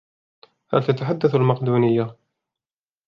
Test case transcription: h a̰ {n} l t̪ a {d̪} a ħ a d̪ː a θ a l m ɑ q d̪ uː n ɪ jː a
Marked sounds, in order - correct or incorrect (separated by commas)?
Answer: incorrect, incorrect